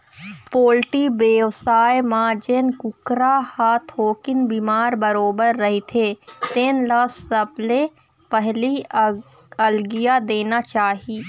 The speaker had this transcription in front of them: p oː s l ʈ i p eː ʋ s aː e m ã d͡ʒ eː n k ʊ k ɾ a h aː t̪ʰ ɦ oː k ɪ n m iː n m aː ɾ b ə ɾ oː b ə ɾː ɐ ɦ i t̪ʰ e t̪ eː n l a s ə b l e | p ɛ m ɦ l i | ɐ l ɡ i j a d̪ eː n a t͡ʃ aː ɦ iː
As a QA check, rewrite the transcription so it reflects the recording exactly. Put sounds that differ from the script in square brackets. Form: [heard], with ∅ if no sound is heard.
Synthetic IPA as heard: p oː [∅] l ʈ i [b] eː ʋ s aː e m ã d͡ʒ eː n k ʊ k ɾ a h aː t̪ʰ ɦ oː k ɪ n [b] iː [∅] m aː ɾ b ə ɾ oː b ə ɾː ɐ ɦ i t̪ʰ e t̪ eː n l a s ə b l e | p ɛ [∅] ɦ l i | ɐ l ɡ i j a d̪ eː n a t͡ʃ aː ɦ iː